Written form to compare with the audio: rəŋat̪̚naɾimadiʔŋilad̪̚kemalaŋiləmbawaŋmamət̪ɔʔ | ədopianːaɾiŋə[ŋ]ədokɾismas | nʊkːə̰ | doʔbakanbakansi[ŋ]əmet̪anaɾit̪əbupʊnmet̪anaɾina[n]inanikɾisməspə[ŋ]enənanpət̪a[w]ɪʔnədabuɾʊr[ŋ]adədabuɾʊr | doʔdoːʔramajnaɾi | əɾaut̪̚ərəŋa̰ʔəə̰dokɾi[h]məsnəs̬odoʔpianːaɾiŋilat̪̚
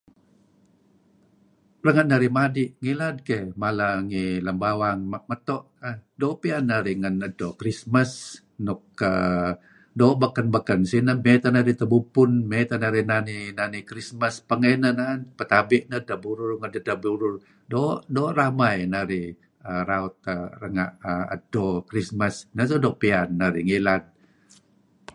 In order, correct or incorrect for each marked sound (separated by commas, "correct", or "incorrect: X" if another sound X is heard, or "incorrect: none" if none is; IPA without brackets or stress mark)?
incorrect: n, incorrect: n, correct, correct, incorrect: b, correct, incorrect: s